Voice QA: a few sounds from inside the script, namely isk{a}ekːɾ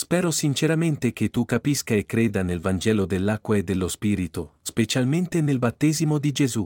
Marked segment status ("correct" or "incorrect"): correct